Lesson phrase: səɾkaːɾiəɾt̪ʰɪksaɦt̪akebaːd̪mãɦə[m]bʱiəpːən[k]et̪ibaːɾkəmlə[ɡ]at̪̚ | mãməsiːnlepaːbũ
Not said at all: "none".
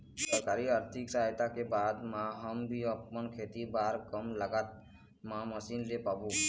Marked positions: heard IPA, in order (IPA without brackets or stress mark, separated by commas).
m, kʰ, ɡ